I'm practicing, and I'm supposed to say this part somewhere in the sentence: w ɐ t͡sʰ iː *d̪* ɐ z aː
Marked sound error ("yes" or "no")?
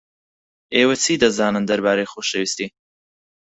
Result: no